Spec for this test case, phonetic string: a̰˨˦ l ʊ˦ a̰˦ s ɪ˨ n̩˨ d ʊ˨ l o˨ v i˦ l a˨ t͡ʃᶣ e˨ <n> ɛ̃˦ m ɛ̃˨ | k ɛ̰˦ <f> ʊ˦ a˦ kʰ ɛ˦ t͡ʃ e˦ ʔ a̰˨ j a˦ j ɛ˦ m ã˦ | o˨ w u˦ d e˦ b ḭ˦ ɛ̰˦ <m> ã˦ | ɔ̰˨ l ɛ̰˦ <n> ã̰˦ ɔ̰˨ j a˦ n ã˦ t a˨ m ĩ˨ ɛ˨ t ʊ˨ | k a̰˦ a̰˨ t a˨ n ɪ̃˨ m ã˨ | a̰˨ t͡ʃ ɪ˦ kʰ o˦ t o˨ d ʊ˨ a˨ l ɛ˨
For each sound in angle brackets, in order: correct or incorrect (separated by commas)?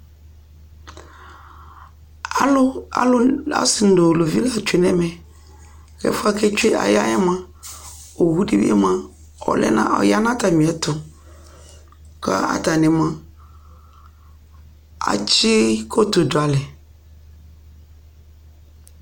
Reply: correct, correct, correct, correct